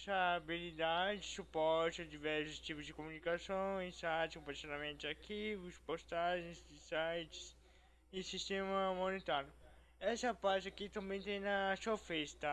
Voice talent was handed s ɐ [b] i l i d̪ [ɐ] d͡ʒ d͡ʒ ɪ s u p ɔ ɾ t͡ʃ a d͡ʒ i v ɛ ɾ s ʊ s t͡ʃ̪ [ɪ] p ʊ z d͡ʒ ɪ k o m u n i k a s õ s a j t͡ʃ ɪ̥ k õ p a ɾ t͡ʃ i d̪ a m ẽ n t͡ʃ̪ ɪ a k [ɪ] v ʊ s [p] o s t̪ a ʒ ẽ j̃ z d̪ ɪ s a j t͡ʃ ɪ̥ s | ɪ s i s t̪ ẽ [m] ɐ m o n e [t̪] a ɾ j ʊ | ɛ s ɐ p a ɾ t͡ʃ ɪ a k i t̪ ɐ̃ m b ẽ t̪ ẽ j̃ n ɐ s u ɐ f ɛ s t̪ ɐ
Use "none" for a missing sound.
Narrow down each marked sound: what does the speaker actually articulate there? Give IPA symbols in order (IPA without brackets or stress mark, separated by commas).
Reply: b, a, i, i, p, m, t̪